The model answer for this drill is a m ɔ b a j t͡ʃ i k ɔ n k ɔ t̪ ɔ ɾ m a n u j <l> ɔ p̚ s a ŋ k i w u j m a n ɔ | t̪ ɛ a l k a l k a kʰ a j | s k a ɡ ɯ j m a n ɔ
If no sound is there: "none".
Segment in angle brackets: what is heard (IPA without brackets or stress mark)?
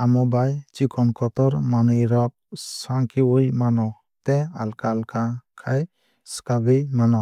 ɾ